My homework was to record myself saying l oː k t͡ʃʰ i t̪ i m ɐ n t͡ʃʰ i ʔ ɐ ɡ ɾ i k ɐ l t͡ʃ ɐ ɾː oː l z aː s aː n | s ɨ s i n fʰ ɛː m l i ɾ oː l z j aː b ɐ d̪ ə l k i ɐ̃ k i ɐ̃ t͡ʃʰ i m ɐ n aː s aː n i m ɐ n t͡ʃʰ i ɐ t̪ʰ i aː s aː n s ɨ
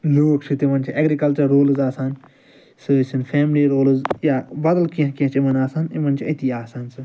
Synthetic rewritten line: l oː k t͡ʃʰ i t̪ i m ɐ n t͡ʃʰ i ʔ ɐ ɡ ɾ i k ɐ l t͡ʃ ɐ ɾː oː l z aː s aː n | s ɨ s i n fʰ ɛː m l i ɾ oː l z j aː b ɐ d̪ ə l k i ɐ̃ k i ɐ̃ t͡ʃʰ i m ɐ n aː s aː n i m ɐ n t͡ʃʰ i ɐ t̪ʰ i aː s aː n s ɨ